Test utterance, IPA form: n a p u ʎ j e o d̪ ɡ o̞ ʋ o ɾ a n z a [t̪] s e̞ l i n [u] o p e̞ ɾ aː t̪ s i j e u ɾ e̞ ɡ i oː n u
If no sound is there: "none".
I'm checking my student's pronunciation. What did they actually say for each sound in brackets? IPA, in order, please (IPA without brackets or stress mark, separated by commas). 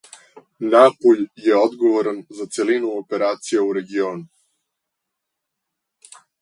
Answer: t̪, u